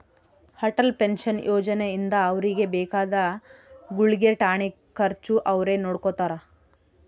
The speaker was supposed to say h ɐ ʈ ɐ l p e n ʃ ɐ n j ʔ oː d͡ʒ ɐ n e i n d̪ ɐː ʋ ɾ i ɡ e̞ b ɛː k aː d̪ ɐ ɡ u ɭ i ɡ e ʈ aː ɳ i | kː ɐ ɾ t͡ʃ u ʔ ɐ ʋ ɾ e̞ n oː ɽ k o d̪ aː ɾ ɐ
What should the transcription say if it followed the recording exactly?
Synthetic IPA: h ɐ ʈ ɐ l p e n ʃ ɐ n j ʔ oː d͡ʒ ɐ n e i n d̪ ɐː ʋ ɾ i ɡ e̞ b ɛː k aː d̪ ɐ ɡ u ɭ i ɡ e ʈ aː ɳ i | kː ɐ ɾ t͡ʃ u ʔ ɐ ʋ ɾ e̞ n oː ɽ k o t̪ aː ɾ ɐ

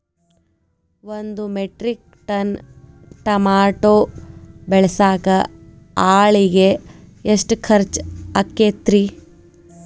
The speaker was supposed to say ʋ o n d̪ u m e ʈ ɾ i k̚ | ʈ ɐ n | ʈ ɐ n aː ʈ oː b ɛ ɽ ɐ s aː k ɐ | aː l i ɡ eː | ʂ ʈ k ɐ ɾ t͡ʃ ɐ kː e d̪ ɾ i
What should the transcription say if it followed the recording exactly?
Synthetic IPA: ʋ o n d̪ u m e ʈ ɾ i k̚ | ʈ ɐ n | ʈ ɐ m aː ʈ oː b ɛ ɭ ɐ s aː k ɐ | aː ɭ i ɡ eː | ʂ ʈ kʰ ɐ ɾ t͡ʃ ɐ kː e t̪ ɾ i

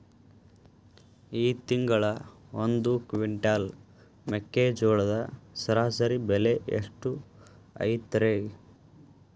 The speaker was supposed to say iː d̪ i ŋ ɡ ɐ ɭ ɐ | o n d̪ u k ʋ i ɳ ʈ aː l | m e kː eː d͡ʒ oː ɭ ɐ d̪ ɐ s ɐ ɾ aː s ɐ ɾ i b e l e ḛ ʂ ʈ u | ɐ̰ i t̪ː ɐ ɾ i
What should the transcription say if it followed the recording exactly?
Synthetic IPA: iː t̪ i ŋ ɡ ɐ ɭ ɐ | o n d̪ u k ʋ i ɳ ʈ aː l | m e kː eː d͡ʒ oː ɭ ɐ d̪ ɐ s ɐ ɾ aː s ɐ ɾ i b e l e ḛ ʂ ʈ u | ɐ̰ j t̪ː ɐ ɾ e

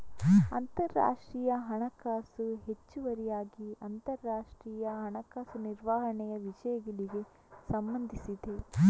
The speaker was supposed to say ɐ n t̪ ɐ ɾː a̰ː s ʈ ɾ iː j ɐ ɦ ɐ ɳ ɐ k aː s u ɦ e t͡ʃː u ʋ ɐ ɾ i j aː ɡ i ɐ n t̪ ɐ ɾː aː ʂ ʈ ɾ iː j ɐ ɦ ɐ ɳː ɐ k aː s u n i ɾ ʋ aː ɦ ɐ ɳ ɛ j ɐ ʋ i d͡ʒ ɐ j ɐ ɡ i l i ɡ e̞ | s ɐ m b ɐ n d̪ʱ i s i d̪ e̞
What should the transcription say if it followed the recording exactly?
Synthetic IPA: ɐ n t̪ ɐ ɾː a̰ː ʂ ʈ ɾ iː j ɐ ɦ ɐ ɳ ɐ k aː s u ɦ e t͡ʃː u ʋ ɐ ɾ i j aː ɡ i ɐ n t̪ ɐ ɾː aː ʂ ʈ ɾ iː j ɐ ɦ ɐ ɳ ɐ k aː s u n i ɾ ʋ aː ɦ ɐ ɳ ɛ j ɐ ʋ i d͡ʒ ɐ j ɐ ɡ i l i ɡ e̞ | s ɐ m b ɐ n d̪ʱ i s i d̪ e̞

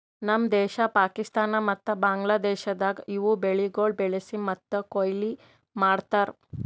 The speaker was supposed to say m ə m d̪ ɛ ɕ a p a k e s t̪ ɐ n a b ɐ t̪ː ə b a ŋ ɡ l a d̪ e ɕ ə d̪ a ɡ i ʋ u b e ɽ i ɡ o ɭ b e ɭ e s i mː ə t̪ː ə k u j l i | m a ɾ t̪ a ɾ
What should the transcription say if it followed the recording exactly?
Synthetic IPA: n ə m d̪ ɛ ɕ a p a k i s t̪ a n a m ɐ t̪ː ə b a ŋ ɡ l a d̪ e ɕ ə d̪ a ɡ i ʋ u b e ɭ i ɡ o ɭ b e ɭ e s i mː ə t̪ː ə k o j l i | m a ɽ t̪ a ɾ

